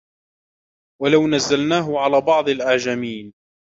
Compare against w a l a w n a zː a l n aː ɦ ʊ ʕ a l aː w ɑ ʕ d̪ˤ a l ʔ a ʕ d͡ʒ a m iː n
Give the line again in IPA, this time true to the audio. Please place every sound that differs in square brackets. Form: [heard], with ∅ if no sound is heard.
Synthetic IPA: w a l a w n a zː a l n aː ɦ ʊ ʕ a l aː [b] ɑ ʕ d̪ˤ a l ʔ a ʕ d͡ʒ a m iː n